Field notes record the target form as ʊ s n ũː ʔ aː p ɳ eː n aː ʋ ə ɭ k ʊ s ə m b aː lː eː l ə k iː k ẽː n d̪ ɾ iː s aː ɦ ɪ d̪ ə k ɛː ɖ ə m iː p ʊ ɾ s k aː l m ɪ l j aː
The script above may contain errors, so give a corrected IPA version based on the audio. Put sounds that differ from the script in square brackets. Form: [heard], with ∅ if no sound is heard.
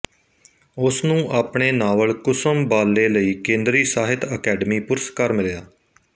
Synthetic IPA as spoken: ʊ s n ũː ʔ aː p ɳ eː n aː ʋ ə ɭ k ʊ s ə m b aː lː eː l ə [∅] iː k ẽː n d̪ ɾ iː s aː ɦ ɪ [t̪] ə k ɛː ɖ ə m iː p ʊ ɾ s k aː [ɾ] m ɪ l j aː

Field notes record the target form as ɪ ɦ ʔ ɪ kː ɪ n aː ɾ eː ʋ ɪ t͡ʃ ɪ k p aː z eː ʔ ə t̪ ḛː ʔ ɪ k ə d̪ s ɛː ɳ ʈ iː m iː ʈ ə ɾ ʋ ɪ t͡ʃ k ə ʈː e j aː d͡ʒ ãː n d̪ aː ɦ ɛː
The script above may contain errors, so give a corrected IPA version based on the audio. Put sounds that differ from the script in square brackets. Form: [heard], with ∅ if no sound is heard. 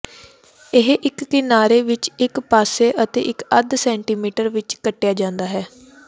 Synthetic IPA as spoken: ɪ ɦ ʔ ɪ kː ɪ n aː ɾ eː ʋ ɪ t͡ʃ ɪ k p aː [s] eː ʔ ə t̪ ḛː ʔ ɪ k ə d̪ s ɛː ɳ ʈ iː m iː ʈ ə ɾ ʋ ɪ t͡ʃ k ə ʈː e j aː d͡ʒ ãː n d̪ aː ɦ ɛː

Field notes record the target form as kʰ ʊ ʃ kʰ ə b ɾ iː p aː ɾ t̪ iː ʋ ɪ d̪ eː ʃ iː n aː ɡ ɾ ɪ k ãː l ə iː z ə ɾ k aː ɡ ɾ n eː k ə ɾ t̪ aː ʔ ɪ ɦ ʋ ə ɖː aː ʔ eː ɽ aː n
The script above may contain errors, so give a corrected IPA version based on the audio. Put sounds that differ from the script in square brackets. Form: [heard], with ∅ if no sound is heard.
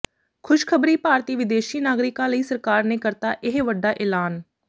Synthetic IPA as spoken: kʰ ʊ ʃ kʰ ə b ɾ iː p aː ɾ t̪ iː ʋ ɪ d̪ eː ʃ iː n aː ɡ ɾ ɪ k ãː l ə iː [s] ə ɾ k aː [∅] ɾ n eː k ə ɾ t̪ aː ʔ ɪ ɦ ʋ ə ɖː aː ʔ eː [l] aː n

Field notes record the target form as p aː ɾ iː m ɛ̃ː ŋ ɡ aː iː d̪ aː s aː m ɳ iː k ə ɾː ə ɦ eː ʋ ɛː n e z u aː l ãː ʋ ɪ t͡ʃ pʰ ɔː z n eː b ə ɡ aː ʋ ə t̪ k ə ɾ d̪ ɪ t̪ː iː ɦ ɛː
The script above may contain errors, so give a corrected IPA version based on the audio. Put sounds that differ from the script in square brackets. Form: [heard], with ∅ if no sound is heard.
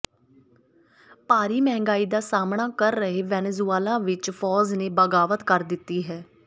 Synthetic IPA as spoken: p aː ɾ iː m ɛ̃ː ŋ ɡ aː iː d̪ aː s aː m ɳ [aː] k ə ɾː ə ɦ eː ʋ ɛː n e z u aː l ãː ʋ ɪ t͡ʃ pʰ ɔː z n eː b ə ɡ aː ʋ ə t̪ k ə ɾ d̪ ɪ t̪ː iː ɦ ɛː

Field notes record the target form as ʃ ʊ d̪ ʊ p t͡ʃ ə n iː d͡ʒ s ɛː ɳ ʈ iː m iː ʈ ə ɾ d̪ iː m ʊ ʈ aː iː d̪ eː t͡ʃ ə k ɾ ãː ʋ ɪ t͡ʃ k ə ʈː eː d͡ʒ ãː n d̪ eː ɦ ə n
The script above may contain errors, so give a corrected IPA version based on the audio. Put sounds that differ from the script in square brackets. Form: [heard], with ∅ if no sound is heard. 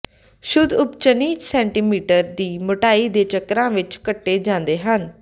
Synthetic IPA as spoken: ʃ ʊ d̪ ʊ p t͡ʃ ə n iː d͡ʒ s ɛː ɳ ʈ iː m iː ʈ ə ɾ d̪ iː m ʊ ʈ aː iː d̪ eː t͡ʃ ə k ɾ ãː ʋ ɪ t͡ʃ k ə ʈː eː d͡ʒ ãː n d̪ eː ɦ ə n

